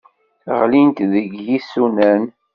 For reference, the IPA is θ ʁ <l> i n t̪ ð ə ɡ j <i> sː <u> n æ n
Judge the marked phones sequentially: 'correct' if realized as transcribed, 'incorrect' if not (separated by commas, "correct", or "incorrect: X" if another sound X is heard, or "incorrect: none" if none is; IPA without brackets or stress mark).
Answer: correct, correct, correct